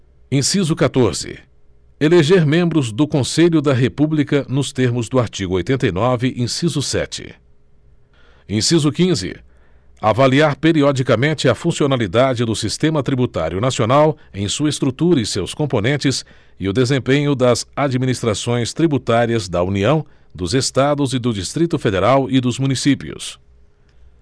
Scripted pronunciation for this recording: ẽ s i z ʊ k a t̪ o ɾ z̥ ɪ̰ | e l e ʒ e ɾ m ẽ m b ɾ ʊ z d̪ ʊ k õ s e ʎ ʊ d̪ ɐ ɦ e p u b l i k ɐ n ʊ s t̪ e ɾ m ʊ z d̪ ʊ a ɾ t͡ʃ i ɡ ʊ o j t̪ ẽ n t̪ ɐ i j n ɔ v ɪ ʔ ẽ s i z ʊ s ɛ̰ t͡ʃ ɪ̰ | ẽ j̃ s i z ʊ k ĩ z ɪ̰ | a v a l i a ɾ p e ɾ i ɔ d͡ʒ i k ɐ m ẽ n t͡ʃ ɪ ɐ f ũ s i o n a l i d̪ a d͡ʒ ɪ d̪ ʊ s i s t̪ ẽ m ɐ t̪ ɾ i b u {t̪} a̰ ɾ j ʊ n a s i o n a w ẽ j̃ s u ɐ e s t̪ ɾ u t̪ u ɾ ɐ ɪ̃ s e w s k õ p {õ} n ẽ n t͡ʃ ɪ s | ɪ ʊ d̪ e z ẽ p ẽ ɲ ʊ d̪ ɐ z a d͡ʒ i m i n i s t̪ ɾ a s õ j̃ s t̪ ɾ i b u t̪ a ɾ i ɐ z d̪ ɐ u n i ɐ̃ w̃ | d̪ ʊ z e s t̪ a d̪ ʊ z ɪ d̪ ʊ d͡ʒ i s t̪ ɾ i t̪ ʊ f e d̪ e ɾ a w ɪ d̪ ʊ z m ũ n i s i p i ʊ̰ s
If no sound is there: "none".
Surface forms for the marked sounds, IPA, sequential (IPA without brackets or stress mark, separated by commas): t̪, o